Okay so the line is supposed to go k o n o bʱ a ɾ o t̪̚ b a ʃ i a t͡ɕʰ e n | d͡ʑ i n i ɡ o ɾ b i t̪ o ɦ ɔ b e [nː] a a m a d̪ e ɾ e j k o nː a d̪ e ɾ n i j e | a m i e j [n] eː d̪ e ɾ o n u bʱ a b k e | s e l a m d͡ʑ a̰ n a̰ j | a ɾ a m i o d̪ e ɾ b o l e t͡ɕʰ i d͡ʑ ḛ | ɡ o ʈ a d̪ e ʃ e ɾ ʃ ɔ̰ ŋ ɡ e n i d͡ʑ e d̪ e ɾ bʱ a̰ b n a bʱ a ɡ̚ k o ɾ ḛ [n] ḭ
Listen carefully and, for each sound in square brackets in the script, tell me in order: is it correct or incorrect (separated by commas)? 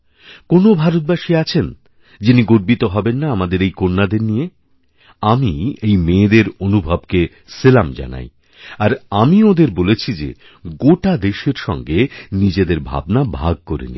correct, incorrect, correct